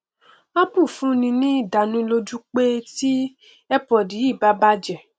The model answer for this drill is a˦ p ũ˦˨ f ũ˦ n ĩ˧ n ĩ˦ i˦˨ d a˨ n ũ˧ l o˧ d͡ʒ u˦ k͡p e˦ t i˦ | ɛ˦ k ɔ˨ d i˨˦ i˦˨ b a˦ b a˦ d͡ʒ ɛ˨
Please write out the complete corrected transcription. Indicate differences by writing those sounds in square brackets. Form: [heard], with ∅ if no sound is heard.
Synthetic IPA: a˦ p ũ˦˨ f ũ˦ n ĩ˧ n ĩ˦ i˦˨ d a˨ n ũ˧ l o˧ d͡ʒ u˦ k͡p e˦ t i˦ | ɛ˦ [p] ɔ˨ d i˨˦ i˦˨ b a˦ b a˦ d͡ʒ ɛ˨